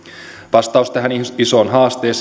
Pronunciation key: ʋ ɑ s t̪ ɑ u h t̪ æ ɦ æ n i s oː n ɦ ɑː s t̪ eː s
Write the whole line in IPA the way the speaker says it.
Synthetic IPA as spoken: ʋ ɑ s t̪ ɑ u s t̪ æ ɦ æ n i s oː n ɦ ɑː s t̪ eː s